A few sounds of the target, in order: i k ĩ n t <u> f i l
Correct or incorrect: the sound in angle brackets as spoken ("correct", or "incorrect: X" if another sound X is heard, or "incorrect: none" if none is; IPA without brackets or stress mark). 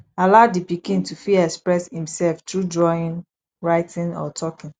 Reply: correct